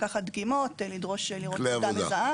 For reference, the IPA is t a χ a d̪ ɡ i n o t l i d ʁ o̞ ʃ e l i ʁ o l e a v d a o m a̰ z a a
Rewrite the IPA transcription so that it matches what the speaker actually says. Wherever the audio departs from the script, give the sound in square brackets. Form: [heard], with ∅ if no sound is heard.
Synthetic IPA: [k] a χ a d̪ ɡ i [m] o t l i d ʁ o̞ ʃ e l i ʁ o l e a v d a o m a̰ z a a